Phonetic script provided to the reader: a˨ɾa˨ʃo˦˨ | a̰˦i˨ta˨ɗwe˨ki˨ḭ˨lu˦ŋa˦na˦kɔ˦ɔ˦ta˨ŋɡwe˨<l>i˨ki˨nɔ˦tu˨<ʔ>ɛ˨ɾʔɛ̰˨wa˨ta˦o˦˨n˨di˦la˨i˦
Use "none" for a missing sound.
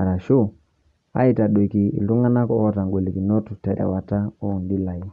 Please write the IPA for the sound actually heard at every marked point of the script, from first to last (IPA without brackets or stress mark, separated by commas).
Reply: l, t